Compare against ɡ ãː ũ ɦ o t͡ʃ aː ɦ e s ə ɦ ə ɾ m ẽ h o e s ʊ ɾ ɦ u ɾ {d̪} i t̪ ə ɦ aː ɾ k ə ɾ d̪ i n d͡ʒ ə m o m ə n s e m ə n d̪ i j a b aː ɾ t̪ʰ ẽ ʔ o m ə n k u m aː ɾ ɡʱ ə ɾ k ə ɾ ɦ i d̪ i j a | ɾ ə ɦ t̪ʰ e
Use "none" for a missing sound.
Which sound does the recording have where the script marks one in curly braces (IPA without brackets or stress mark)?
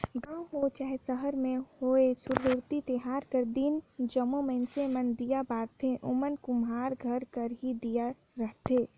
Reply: t̪